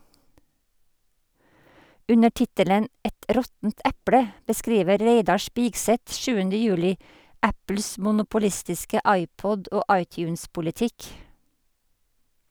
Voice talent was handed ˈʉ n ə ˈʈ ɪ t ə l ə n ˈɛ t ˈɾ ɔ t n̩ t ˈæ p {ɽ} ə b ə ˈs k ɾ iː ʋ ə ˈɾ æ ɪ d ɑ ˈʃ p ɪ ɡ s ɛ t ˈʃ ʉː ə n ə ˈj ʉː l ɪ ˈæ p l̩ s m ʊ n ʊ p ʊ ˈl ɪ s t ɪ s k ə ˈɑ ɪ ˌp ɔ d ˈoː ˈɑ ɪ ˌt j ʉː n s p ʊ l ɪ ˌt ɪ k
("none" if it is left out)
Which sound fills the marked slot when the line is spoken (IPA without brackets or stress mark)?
ɽ